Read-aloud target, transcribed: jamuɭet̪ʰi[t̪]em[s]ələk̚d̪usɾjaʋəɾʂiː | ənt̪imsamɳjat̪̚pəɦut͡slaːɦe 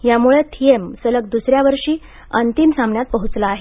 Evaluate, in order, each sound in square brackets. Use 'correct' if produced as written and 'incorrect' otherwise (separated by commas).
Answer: incorrect, correct